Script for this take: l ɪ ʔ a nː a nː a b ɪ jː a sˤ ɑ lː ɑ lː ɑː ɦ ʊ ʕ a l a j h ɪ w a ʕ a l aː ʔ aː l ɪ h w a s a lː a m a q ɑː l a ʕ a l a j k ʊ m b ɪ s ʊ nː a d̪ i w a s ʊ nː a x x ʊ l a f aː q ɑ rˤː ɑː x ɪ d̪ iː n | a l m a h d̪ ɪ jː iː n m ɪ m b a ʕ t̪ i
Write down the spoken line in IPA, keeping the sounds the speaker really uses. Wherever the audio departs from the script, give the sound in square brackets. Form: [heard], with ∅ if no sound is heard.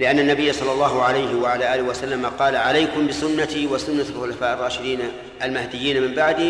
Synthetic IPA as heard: l ɪ ʔ a nː a nː a b ɪ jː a sˤ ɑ lː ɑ lː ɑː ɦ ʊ ʕ a l a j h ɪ w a ʕ a l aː ʔ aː l ɪ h w a s a lː a m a q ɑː l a ʕ a l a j k ʊ m b ɪ s ʊ nː a [t̪] i w a s ʊ nː a x x ʊ l a f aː [ʔ] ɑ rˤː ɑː [ʃ] ɪ d̪ iː n | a l m a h d̪ ɪ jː iː n m ɪ m b a ʕ [d̪] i